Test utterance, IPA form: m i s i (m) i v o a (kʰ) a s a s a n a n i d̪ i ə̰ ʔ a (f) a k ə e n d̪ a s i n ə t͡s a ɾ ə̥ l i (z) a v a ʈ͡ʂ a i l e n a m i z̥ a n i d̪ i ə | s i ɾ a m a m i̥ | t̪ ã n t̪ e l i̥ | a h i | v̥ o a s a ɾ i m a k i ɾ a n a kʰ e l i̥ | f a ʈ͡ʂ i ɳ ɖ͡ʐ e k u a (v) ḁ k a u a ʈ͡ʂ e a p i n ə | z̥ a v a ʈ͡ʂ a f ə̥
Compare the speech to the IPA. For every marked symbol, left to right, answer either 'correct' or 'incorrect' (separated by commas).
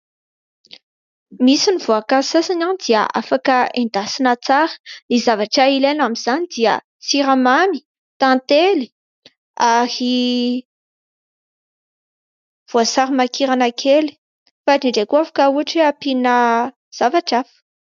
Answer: incorrect, incorrect, correct, correct, incorrect